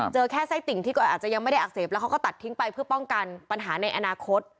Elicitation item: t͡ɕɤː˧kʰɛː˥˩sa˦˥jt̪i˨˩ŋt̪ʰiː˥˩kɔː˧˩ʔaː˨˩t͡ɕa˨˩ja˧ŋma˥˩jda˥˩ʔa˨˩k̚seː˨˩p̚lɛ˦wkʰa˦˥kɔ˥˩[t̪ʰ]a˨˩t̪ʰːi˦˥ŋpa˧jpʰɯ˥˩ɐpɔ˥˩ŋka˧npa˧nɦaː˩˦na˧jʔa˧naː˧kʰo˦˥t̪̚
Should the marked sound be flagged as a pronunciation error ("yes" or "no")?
yes